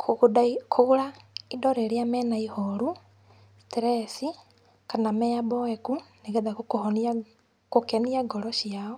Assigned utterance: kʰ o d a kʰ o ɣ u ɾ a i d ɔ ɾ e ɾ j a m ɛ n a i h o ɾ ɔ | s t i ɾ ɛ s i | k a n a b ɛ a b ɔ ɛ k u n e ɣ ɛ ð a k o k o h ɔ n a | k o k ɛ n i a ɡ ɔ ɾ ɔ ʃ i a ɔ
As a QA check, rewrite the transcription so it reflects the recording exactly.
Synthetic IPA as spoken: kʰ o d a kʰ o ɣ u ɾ a i d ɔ ɾ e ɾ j a m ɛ n a i h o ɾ u | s t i ɾ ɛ s i | k a n a m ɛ a b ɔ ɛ k u n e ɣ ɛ ð a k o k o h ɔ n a | k o k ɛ n i a ɡ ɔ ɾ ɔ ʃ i a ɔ